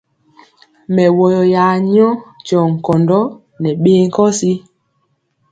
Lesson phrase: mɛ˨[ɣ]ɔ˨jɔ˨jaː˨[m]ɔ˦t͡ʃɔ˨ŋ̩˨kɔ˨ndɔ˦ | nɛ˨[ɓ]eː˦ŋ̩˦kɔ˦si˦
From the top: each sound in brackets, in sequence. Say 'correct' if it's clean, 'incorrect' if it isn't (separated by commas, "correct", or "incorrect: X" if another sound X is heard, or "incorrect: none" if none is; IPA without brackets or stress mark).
incorrect: w, incorrect: ɲ, correct